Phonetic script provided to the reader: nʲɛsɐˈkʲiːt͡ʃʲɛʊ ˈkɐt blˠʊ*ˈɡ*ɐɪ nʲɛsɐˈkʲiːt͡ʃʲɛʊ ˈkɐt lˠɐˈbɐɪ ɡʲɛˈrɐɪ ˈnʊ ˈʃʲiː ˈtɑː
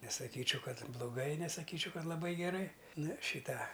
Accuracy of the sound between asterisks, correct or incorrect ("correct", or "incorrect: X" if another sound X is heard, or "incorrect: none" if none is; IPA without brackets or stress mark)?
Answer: correct